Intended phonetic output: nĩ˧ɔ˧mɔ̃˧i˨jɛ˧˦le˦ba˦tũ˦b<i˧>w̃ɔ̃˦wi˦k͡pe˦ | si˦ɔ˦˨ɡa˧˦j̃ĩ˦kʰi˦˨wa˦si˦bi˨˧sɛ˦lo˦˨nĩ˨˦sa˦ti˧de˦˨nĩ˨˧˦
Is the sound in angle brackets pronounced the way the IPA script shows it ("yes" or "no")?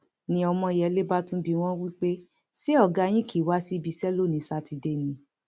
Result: yes